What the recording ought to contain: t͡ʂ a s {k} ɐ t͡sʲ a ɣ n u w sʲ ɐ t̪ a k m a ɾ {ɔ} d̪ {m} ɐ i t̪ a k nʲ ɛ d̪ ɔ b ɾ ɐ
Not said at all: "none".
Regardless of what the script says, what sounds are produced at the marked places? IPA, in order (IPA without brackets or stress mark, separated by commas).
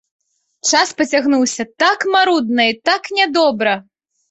p, u, n